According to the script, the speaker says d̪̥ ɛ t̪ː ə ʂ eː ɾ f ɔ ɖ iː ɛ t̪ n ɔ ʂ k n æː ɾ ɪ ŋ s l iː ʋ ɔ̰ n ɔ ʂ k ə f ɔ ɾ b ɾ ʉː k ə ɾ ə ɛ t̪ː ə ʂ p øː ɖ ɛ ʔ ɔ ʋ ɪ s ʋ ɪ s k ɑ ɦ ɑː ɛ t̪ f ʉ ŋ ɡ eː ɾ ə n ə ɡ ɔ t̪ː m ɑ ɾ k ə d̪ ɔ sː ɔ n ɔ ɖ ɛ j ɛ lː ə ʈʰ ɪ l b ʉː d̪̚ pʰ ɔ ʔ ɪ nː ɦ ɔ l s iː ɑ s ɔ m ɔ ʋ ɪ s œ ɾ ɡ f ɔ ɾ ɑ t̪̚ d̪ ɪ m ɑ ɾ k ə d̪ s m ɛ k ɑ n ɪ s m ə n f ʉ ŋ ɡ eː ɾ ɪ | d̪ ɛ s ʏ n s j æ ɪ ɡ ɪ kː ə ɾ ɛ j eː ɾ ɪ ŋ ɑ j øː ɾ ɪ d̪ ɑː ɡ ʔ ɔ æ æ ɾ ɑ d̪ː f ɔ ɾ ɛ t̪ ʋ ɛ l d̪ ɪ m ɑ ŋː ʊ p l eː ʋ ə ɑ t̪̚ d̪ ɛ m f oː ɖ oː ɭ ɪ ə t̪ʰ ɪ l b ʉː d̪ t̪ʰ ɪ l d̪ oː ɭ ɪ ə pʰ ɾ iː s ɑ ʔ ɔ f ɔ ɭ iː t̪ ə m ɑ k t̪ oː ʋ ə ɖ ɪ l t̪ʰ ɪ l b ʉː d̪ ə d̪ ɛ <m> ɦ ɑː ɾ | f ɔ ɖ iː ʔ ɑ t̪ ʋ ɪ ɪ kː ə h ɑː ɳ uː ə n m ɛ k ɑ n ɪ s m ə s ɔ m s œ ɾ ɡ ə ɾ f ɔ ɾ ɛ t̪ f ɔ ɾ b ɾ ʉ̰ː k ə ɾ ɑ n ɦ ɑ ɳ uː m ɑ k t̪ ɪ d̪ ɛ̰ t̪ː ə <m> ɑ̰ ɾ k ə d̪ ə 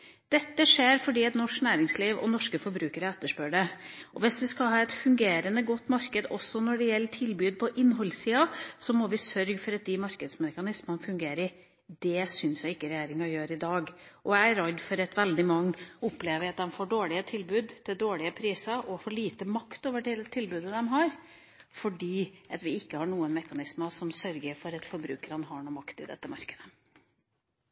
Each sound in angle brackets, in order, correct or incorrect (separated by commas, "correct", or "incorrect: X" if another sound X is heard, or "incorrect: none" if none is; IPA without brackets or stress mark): correct, correct